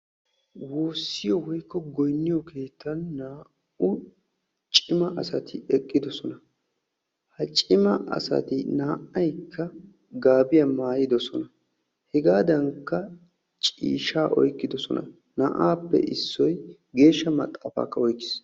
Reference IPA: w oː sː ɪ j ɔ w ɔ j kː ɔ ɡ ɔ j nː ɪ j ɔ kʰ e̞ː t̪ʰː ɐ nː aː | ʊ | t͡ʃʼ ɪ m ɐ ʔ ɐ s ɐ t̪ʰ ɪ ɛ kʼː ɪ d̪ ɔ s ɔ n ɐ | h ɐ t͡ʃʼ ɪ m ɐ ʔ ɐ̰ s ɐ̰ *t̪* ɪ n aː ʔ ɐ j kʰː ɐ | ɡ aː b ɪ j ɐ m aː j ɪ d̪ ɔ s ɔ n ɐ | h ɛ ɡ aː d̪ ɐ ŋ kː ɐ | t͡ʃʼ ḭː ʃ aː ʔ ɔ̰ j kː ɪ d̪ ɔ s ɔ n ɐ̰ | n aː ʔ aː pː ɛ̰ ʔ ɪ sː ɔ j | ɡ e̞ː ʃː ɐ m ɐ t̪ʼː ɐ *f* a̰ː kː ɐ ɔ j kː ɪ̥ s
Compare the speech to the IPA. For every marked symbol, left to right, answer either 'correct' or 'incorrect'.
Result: correct, correct

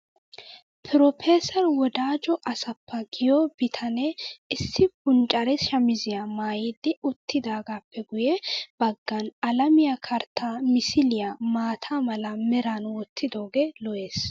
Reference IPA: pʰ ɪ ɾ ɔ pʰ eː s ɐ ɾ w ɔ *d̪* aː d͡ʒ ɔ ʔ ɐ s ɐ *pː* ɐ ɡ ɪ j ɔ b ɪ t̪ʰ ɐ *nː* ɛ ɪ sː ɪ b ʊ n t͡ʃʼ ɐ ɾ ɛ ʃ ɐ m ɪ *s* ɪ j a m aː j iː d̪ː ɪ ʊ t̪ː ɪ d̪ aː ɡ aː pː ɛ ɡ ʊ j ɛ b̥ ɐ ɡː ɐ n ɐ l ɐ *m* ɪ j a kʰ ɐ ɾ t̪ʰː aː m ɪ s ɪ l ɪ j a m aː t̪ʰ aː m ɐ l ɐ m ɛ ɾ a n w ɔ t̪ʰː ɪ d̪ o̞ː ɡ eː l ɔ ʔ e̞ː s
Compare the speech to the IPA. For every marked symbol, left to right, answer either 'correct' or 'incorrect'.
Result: correct, correct, incorrect: n, incorrect: z, correct

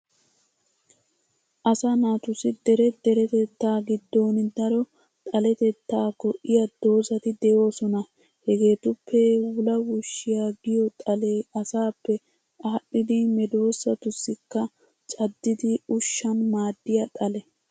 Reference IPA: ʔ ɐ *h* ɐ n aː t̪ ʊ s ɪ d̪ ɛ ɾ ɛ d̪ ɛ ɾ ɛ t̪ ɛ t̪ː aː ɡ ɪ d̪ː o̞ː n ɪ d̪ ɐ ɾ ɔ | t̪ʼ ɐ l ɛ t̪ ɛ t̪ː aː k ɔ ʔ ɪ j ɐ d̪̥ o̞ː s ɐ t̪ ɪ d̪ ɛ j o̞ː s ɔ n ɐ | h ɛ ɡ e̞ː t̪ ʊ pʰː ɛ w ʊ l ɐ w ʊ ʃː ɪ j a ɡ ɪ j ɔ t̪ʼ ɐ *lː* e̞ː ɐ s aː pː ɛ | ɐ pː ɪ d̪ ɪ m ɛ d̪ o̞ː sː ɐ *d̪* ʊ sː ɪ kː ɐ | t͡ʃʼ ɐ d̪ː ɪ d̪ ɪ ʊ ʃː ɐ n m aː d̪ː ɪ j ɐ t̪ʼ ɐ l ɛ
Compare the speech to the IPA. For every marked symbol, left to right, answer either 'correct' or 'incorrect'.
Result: incorrect: s, incorrect: l, incorrect: t̪

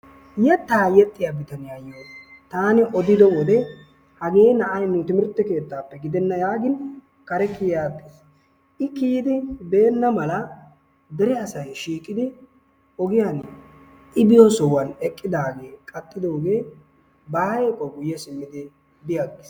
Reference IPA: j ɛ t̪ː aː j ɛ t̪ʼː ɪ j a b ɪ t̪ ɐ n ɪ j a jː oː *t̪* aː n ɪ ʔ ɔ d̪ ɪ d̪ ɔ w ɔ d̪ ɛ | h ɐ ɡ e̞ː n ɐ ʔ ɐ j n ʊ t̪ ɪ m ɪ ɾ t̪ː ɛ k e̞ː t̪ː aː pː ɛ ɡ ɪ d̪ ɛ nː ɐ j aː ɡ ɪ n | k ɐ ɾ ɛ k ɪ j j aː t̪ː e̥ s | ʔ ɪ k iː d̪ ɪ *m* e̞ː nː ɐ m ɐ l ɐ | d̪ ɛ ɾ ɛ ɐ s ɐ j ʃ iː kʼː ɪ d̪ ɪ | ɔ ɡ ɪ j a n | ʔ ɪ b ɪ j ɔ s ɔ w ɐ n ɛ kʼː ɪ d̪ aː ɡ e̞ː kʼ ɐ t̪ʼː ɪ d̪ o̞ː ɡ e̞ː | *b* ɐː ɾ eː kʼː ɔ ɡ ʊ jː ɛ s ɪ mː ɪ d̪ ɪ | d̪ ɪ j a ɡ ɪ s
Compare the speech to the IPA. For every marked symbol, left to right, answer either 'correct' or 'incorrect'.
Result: correct, incorrect: b, correct

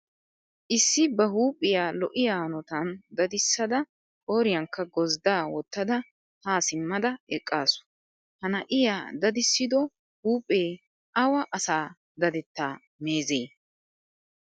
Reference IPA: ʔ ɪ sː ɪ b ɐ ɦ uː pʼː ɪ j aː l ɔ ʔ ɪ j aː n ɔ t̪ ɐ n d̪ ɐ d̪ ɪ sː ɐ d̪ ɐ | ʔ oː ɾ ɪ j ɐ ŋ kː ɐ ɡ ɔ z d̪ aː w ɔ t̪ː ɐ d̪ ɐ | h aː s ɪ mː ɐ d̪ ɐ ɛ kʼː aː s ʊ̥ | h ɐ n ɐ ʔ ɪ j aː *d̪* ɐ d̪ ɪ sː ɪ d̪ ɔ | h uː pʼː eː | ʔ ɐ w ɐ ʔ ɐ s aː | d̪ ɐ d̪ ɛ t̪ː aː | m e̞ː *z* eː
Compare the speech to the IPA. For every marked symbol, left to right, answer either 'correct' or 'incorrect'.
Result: correct, correct

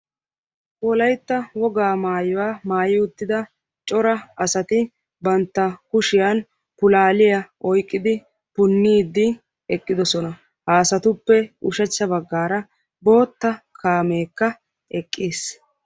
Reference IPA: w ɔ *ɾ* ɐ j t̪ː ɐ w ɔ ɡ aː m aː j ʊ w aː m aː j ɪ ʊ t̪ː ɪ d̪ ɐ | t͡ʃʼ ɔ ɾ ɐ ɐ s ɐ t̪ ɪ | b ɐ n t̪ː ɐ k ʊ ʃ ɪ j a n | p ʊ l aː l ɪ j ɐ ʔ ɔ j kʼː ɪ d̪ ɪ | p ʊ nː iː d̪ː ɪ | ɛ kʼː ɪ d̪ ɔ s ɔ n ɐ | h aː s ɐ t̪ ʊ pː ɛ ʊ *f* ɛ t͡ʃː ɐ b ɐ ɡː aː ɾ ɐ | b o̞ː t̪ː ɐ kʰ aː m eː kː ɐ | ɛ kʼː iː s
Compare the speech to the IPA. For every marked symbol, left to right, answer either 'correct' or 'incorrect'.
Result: incorrect: l, incorrect: ʃ

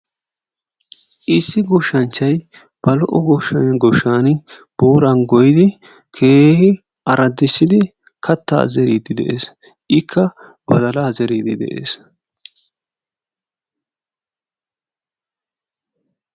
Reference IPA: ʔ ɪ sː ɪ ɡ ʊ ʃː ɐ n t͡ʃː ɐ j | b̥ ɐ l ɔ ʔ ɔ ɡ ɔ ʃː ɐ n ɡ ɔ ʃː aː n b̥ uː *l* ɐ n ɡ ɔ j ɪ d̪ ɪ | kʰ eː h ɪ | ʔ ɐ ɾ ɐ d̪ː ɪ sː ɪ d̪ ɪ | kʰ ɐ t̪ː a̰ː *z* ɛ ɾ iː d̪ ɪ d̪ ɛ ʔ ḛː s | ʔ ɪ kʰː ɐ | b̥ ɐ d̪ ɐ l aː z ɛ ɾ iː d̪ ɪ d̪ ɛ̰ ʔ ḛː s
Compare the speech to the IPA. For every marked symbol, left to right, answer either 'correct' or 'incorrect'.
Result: incorrect: ɾ, correct

